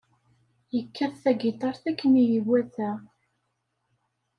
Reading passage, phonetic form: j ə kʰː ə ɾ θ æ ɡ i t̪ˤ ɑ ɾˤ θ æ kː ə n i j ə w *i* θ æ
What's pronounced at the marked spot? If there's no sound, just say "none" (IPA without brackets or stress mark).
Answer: æ